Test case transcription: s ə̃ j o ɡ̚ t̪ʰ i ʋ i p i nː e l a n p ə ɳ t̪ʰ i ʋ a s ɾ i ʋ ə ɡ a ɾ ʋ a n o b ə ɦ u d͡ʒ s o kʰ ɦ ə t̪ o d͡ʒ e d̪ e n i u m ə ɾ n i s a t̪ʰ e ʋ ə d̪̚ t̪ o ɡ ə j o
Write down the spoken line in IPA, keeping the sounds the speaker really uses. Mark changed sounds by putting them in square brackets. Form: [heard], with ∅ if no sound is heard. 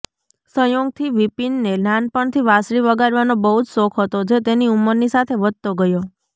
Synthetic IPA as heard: s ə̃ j o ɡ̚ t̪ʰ i ʋ i p i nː e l a n p ə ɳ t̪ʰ i ʋ a s ɾ i ʋ ə ɡ a ɾ ʋ a n o b ə ɦ u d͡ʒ s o kʰ ɦ ə t̪ o d͡ʒ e [t̪] e n i u m ə ɾ n i s a t̪ʰ e ʋ ə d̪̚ t̪ o ɡ ə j o